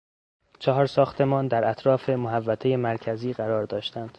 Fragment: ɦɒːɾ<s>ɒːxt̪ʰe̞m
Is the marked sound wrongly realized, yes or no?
no